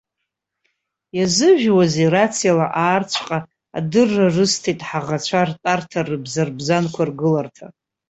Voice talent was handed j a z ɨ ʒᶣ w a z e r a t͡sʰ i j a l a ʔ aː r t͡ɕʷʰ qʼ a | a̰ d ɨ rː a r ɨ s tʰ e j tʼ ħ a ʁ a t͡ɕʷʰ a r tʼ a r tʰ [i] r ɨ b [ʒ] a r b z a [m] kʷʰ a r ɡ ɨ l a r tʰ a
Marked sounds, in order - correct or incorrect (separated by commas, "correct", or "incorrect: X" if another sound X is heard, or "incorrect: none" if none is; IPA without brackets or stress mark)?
incorrect: a, incorrect: z, incorrect: n